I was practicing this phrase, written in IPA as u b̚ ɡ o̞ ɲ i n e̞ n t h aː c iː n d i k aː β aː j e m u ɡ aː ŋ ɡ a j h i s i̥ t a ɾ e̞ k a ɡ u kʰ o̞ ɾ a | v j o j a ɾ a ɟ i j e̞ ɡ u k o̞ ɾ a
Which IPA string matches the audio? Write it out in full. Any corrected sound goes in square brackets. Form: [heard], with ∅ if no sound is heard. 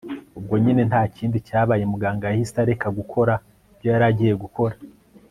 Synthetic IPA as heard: u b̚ ɡ o̞ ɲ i n e̞ n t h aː c iː n d i [c] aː β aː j e m u ɡ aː ŋ ɡ a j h i s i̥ t a ɾ e̞ k a ɡ u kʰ o̞ ɾ a | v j o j a ɾ a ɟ i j e̞ ɡ u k o̞ ɾ a